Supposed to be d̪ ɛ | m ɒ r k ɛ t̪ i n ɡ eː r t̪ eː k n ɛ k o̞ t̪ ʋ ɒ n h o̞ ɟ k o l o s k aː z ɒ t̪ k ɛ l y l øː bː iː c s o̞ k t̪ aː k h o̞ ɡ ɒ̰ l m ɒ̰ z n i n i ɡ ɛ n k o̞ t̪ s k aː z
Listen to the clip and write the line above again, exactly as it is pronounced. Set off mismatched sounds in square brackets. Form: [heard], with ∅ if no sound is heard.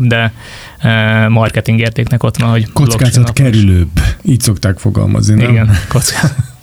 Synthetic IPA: d̪ ɛ | m ɒ r k ɛ t̪ i [ŋ] ɡ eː r t̪ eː k n ɛ k o̞ t̪ ʋ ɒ n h o̞ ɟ k o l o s k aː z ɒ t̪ k ɛ [ɾ] y l øː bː iː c s o̞ k t̪ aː k [f] o̞ ɡ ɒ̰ l m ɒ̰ z n i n i ɡ ɛ n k o̞ t̪ s k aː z